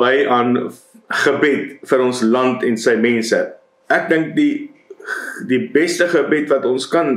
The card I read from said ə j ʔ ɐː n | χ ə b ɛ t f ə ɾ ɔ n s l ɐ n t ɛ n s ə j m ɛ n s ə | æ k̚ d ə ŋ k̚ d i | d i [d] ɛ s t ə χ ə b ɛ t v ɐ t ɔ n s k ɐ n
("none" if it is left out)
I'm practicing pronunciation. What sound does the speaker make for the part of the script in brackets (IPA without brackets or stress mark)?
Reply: b